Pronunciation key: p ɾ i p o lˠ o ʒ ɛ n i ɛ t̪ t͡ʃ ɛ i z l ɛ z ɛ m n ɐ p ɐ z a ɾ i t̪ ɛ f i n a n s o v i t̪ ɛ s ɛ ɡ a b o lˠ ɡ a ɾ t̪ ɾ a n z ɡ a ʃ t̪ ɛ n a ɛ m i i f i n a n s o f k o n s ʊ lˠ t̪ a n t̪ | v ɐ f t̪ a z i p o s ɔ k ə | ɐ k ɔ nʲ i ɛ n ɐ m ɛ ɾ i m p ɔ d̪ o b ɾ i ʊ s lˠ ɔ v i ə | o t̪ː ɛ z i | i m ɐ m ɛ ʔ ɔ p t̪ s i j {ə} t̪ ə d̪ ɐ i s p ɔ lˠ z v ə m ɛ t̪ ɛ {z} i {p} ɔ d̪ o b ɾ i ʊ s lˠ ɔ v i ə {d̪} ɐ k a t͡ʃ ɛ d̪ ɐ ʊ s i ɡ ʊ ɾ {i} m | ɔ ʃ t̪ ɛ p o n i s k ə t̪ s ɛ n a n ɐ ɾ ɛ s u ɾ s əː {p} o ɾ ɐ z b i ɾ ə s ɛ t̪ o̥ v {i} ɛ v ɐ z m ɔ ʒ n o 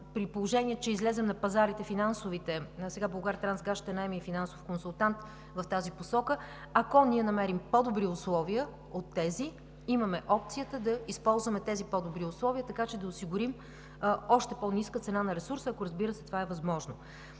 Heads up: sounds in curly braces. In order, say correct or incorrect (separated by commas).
correct, correct, correct, incorrect, correct, incorrect, incorrect